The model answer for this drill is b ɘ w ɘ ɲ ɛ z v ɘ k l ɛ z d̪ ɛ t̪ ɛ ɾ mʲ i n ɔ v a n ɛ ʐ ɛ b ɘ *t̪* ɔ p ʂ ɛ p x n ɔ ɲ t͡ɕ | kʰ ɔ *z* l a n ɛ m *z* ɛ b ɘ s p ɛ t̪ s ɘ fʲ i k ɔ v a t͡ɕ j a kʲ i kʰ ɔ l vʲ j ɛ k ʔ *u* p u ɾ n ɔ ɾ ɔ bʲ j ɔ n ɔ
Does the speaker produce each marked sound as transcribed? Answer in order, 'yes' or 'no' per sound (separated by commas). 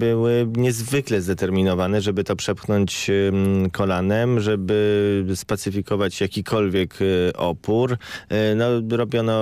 yes, no, no, no